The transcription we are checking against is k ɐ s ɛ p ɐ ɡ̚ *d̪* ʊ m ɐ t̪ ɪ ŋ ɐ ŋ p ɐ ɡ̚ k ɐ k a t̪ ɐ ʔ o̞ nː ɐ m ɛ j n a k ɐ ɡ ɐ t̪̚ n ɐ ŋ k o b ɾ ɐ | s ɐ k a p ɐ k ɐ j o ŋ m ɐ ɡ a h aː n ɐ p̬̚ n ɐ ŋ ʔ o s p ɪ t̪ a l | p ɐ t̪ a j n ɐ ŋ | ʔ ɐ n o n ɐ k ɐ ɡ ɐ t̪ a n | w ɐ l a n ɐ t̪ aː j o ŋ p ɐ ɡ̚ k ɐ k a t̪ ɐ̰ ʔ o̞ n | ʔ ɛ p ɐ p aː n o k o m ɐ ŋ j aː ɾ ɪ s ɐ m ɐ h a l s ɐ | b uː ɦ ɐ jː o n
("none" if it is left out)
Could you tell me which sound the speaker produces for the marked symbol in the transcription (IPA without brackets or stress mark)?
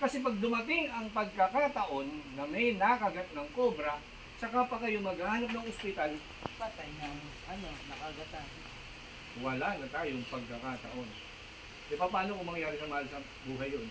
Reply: d̪